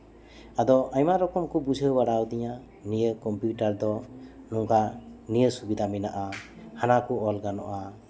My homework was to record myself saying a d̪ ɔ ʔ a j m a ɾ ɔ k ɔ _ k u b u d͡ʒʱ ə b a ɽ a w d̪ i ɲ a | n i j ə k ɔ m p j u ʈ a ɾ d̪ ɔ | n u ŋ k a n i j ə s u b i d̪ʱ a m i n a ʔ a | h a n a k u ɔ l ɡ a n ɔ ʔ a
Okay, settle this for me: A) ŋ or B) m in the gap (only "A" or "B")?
B